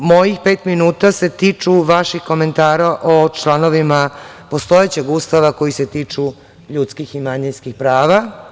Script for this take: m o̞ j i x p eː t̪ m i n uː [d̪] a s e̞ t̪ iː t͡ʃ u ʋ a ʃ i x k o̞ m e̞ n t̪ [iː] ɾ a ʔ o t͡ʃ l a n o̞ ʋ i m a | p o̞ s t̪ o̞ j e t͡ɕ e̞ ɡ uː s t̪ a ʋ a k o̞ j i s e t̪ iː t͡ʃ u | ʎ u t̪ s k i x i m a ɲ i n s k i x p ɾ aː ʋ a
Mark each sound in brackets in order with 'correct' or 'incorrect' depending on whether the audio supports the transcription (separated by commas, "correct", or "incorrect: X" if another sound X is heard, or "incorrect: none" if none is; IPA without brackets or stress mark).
incorrect: t̪, incorrect: aː